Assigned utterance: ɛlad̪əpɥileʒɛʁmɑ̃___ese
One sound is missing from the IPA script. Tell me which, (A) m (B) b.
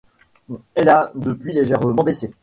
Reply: B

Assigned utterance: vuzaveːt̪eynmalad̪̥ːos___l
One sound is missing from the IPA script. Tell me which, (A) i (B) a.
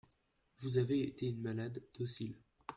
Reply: A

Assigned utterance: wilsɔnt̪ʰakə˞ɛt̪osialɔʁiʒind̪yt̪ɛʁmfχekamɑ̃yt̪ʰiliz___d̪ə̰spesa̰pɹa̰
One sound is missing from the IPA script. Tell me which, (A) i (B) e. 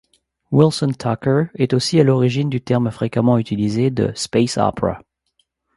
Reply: B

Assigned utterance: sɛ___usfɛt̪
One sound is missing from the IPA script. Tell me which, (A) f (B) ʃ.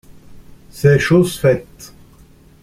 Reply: B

